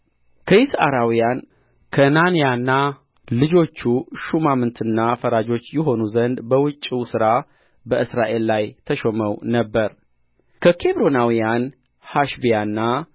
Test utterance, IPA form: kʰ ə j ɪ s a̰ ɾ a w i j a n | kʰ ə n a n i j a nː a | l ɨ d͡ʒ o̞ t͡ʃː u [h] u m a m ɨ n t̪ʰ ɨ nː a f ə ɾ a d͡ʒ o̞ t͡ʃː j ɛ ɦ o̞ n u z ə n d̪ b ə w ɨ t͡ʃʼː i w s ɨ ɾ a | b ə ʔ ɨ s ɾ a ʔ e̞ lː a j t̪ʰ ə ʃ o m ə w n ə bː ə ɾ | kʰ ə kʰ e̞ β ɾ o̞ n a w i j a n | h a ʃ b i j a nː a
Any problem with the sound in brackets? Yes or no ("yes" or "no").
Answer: yes